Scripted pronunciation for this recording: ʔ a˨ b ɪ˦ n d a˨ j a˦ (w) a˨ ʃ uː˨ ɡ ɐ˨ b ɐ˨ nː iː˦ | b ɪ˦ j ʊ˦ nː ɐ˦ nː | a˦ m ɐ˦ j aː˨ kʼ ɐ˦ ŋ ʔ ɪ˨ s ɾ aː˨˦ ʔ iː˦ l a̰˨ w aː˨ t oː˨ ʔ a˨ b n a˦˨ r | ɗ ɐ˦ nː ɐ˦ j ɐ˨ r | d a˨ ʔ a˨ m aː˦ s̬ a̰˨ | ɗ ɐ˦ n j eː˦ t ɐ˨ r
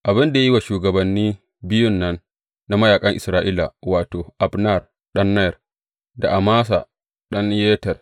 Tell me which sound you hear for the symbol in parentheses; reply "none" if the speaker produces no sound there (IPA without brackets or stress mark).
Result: w